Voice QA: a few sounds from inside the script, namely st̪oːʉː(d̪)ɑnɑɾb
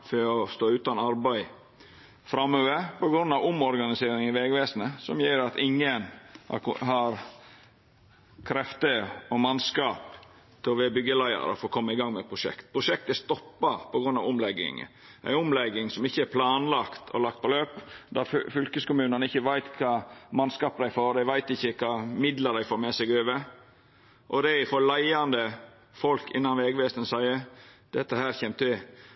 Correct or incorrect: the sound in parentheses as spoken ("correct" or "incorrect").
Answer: incorrect